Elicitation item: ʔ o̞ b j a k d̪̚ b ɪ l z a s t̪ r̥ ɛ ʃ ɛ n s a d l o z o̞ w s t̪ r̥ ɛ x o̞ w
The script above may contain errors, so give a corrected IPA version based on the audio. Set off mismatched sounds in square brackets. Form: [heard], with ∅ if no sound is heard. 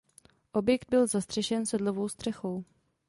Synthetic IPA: ʔ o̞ b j [ɛ] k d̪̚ b ɪ l z a s t̪ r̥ ɛ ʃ ɛ n s [ɛ] d l o [v] o̞ w s t̪ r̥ ɛ x o̞ w